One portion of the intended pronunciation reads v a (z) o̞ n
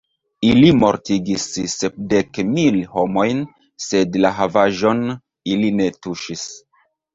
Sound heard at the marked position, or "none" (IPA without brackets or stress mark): ʒ